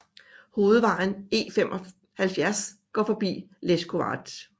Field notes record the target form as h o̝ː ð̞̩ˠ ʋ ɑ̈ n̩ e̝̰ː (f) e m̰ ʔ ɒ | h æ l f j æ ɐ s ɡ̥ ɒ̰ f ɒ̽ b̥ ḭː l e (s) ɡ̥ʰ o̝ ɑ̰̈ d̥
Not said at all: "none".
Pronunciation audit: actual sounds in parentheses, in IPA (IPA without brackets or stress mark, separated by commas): f, s